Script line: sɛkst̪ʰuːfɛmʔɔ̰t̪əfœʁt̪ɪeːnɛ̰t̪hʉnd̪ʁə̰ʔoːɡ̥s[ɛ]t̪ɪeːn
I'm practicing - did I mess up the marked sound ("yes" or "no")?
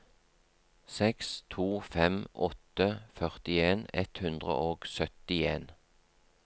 yes